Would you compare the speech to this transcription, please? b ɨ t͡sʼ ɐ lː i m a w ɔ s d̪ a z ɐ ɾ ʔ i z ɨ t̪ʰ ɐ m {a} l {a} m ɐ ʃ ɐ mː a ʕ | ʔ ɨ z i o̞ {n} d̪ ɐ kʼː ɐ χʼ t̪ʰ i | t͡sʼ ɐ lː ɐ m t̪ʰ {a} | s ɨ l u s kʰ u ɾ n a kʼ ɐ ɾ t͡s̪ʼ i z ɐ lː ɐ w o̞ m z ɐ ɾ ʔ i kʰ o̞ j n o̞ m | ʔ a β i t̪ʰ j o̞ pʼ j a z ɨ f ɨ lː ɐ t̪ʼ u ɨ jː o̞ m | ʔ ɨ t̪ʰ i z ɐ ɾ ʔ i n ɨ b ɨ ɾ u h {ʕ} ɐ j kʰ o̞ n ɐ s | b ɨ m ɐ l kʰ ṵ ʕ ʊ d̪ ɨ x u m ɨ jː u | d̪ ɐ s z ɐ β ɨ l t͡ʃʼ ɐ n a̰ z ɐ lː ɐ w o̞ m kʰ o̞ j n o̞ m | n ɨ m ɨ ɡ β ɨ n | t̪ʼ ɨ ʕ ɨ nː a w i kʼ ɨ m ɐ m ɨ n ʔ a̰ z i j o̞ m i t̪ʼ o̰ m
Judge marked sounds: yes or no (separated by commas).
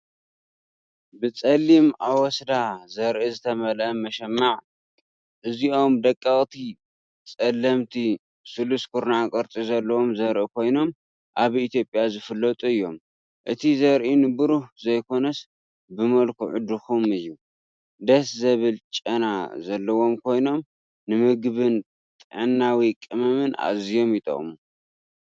no, no, no, no, no